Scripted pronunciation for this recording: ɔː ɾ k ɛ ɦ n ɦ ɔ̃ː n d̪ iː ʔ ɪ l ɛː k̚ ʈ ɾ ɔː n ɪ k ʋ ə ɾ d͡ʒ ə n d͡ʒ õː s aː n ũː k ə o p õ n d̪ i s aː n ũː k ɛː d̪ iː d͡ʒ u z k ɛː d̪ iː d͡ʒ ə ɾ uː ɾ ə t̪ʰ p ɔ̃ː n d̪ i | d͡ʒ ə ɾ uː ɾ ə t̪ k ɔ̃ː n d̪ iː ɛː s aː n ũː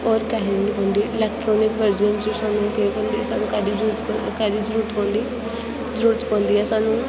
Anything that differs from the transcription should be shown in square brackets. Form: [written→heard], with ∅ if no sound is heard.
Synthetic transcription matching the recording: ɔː ɾ k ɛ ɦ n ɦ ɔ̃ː n d̪ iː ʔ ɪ l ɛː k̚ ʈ ɾ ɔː n ɪ k ʋ ə ɾ d͡ʒ ə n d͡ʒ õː s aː n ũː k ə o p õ n d̪ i s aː n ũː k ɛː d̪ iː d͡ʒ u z k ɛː d̪ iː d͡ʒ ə ɾ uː ɾ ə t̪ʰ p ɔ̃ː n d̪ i | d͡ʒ ə ɾ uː ɾ ə t̪ [k→p] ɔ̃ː n d̪ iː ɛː s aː n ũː